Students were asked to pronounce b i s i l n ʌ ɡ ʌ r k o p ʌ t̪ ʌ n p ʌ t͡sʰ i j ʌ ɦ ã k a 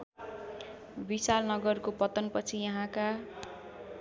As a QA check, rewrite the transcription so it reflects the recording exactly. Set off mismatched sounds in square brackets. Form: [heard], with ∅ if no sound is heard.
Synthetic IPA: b i s [a] l n ʌ ɡ ʌ r k o p ʌ t̪ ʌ n p ʌ t͡sʰ i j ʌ ɦ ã k a